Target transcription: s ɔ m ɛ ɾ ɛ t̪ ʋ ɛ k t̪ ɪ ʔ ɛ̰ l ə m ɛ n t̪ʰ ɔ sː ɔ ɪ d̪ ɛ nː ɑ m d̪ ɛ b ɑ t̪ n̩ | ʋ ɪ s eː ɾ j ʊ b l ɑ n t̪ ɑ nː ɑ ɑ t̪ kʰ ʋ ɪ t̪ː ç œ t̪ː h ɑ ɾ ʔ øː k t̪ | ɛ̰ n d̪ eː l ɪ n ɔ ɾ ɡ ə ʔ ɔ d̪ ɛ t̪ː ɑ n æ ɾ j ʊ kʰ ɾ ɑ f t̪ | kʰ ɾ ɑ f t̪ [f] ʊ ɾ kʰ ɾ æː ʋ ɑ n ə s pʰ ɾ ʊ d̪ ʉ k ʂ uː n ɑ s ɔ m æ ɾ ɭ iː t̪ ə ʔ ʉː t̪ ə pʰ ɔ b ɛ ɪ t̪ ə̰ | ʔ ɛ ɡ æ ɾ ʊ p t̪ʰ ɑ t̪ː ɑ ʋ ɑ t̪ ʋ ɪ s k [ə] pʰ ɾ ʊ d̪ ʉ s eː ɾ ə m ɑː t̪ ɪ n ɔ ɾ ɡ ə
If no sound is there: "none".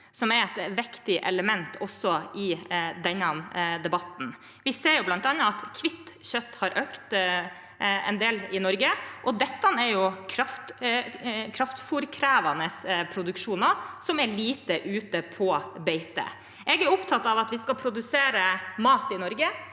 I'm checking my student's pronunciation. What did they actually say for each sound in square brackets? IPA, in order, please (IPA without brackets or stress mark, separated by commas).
f, ɑ